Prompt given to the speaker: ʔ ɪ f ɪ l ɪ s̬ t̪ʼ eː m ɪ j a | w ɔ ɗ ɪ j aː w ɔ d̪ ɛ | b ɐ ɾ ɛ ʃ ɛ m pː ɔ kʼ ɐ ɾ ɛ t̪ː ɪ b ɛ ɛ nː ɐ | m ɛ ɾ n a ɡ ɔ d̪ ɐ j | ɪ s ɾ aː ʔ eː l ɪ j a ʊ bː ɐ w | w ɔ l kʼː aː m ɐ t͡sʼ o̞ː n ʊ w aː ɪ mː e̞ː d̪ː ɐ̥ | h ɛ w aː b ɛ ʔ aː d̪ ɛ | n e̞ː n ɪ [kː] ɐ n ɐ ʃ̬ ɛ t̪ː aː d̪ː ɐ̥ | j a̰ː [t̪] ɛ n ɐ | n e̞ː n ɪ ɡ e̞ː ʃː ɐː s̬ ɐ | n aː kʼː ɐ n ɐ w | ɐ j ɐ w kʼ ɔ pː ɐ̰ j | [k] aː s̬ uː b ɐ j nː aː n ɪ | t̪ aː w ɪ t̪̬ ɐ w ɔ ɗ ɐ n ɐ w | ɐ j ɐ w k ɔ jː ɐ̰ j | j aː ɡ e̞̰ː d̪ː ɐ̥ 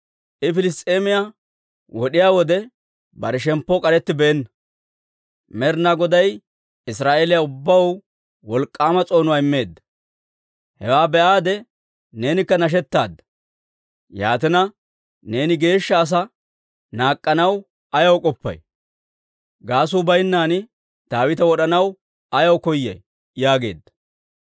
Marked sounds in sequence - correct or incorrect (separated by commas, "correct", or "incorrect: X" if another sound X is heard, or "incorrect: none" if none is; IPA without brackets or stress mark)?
correct, correct, incorrect: ɡ